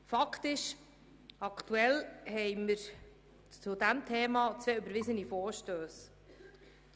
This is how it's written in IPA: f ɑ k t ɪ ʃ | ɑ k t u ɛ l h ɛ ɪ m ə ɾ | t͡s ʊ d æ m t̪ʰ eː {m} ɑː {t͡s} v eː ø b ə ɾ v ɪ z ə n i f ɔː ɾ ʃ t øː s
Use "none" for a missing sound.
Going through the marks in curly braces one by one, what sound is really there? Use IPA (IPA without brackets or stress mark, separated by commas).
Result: m, t͡s